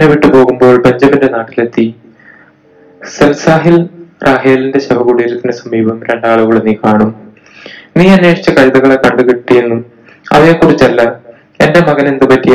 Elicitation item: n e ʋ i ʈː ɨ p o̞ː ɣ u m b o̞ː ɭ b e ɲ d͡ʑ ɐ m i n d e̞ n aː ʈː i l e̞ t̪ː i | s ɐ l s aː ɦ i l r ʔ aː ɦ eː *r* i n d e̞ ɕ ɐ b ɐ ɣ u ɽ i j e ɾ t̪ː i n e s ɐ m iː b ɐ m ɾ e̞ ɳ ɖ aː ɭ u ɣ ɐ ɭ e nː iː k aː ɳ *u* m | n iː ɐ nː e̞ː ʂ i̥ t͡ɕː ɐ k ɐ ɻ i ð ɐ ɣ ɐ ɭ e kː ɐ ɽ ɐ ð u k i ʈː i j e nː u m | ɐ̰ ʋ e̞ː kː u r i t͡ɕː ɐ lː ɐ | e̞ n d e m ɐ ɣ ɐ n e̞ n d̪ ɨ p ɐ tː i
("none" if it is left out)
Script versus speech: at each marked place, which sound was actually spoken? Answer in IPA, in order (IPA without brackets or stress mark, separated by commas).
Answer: l, u